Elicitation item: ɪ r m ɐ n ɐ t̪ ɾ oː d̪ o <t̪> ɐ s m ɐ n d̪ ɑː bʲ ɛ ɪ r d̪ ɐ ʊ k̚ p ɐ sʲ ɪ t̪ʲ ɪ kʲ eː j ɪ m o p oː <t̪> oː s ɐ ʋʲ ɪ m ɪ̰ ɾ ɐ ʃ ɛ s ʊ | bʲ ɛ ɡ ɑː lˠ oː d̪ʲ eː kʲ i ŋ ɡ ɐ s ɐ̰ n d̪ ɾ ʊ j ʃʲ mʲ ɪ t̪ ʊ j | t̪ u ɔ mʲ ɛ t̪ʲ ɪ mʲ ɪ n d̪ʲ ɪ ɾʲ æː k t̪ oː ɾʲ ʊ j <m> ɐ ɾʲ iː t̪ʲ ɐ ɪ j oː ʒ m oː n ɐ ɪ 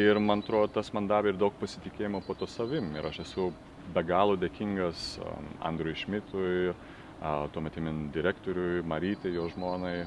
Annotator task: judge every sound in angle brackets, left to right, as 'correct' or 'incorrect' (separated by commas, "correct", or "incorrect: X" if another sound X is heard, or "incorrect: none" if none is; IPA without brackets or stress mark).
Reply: correct, correct, correct